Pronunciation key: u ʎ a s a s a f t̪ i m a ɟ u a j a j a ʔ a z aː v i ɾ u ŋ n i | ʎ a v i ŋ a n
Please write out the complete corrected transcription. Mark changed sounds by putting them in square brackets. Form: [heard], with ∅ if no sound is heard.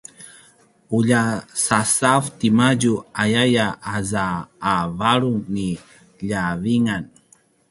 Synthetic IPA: u ʎ a s a s a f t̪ i m a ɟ u a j a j a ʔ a z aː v [a] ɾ u ŋ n i | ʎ a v i ŋ a n